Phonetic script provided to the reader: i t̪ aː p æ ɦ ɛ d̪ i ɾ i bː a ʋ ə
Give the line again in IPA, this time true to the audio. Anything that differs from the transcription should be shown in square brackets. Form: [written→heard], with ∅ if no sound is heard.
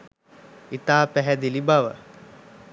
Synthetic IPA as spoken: i t̪ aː p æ ɦ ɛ d̪ i [ɾ→l] i [bː→b] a ʋ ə